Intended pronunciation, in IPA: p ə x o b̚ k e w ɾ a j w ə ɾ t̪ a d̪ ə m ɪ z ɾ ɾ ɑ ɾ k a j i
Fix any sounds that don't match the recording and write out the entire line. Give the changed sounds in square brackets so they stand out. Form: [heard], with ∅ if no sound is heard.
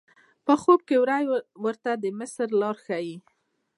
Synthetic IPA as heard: p ə x o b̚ k e w ɾ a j w ə ɾ t̪ a d̪ ə m ɪ [s] ɾ [l] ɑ ɾ [x] a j i

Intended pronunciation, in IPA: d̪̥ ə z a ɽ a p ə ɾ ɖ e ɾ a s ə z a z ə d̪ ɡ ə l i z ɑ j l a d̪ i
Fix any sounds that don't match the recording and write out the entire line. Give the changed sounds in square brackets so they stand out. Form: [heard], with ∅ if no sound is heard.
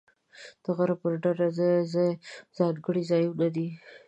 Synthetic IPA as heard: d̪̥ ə [ɣ] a [ɾ] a p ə ɾ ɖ [a] ɾ a [z] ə z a z [ɑ] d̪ ɡ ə [ɽ] i z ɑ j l a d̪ i

